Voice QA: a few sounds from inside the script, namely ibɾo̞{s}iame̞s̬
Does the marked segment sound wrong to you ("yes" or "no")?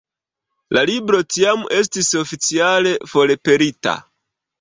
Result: yes